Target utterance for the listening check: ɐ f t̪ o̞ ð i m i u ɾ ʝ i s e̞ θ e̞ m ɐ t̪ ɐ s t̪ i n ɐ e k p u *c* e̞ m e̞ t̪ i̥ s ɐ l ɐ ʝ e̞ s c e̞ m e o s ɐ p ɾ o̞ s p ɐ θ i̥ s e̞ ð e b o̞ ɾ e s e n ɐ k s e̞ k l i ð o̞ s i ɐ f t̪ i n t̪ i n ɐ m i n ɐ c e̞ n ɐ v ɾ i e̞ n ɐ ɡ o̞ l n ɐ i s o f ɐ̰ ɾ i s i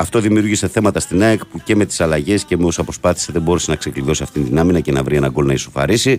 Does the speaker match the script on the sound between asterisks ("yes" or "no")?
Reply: yes